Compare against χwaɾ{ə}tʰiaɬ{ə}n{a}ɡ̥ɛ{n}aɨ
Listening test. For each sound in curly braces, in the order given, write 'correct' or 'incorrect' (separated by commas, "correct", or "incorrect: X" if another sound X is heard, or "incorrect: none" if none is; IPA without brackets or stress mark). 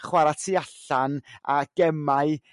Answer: incorrect: a, incorrect: a, correct, incorrect: m